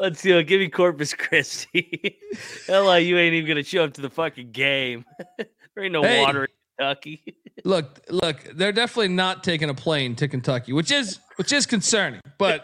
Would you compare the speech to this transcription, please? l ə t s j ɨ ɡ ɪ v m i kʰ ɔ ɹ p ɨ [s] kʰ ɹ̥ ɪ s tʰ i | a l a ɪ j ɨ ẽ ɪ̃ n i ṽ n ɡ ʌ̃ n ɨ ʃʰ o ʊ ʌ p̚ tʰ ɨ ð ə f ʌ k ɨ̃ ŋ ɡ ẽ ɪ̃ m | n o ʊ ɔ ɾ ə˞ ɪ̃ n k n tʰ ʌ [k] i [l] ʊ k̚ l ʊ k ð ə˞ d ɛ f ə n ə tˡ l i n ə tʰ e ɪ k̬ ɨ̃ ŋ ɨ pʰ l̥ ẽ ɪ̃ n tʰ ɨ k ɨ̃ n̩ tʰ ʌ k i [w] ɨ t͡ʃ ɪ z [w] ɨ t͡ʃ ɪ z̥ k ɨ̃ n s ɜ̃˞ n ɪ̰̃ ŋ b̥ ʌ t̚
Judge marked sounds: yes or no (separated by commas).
yes, yes, yes, yes, yes